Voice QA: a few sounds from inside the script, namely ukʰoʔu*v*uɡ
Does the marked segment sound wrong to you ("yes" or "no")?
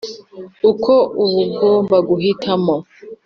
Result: yes